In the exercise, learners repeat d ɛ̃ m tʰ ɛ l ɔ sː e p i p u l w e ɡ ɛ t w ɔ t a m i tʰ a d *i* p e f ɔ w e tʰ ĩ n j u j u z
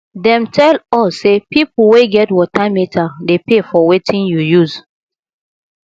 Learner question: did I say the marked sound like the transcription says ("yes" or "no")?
no